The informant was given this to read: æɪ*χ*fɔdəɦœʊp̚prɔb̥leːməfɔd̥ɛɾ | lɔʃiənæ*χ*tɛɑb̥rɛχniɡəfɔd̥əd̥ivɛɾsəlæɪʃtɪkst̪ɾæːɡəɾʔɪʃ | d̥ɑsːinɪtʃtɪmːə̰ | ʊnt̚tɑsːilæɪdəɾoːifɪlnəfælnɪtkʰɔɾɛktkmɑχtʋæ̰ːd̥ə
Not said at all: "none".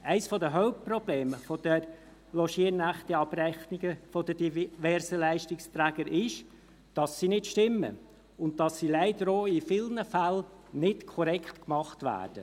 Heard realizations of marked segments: s, χ

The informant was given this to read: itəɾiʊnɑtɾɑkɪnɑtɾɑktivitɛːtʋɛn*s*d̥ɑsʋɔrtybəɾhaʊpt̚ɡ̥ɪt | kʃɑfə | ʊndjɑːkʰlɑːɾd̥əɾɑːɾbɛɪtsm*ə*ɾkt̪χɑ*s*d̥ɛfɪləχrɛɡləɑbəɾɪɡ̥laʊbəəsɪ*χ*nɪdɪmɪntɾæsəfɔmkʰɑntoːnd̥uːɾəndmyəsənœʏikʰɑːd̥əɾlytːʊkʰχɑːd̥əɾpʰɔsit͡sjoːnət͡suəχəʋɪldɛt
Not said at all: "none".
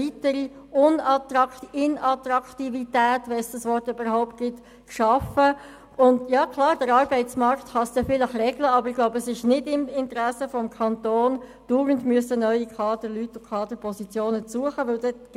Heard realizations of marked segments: s, ɑ, s, ʃ

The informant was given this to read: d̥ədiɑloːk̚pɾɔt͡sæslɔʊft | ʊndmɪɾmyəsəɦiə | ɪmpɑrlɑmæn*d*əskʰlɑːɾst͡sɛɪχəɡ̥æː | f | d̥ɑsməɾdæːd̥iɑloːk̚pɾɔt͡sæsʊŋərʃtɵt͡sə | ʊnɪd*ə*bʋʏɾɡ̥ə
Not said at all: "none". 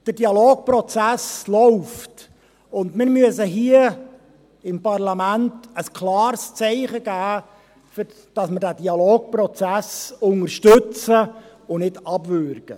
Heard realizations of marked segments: t, ɑ

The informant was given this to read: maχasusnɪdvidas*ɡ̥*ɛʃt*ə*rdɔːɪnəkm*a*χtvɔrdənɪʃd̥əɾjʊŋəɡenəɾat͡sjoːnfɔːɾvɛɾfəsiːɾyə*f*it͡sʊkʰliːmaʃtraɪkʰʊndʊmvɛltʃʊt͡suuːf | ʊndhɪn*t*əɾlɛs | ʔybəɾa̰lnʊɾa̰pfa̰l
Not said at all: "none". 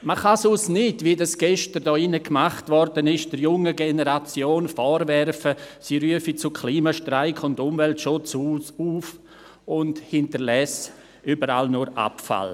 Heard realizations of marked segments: ɡ̥, ə, a, f, t

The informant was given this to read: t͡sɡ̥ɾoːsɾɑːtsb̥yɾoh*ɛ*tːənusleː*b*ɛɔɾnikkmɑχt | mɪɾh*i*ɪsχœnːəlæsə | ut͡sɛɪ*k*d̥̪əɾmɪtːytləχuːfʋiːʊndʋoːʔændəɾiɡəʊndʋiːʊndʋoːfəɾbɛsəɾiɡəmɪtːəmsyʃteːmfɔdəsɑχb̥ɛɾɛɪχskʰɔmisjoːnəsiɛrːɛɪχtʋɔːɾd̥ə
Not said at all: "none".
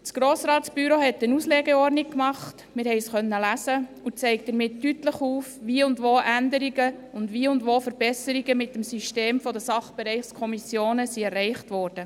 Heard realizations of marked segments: ɛ, ɡ, ɛ, k

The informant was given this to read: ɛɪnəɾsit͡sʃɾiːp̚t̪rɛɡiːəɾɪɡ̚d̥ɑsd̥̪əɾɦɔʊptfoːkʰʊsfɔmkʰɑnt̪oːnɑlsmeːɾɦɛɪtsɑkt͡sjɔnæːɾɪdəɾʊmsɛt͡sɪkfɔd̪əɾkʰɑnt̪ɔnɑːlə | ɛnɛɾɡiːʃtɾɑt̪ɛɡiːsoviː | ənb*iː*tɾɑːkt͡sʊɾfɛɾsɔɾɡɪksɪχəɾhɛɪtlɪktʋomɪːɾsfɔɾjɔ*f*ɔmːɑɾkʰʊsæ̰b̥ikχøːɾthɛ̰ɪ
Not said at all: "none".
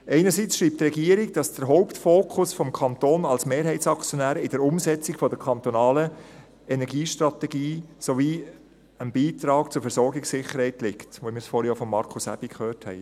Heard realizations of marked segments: iː, f

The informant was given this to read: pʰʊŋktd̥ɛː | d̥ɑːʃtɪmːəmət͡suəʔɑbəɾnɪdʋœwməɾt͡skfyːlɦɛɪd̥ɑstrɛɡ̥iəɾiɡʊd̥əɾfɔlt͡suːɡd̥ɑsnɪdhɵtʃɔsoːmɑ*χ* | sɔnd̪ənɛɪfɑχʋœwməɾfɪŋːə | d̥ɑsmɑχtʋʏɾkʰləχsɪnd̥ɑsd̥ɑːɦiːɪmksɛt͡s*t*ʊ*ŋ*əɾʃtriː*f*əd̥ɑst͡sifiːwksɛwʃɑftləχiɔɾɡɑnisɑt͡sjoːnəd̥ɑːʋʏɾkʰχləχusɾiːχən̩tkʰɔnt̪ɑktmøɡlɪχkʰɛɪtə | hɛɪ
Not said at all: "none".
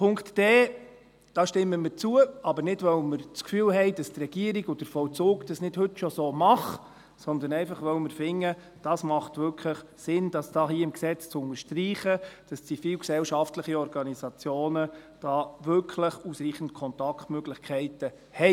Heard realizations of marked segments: χ, t͡s, n, χ

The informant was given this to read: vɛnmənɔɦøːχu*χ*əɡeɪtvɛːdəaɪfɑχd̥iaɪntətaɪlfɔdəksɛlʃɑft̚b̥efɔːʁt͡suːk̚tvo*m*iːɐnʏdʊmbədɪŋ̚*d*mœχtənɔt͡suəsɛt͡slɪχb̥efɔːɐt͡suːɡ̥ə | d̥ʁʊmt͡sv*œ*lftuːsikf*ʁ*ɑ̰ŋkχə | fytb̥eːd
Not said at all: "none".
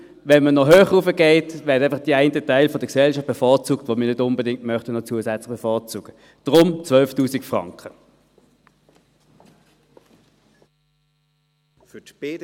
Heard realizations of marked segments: f, m, t, œ, ʁ

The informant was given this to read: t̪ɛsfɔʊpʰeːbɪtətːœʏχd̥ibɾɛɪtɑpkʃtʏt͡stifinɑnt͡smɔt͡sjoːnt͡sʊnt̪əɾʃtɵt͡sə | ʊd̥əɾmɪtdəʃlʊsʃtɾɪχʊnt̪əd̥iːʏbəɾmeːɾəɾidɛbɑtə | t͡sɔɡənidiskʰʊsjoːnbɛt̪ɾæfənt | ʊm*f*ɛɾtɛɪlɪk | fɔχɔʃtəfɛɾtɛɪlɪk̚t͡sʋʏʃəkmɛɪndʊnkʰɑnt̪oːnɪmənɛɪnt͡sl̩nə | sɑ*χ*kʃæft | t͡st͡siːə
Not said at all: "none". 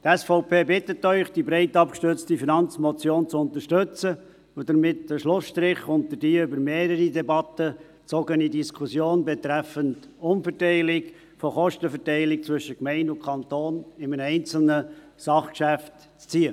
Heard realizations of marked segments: f, χ

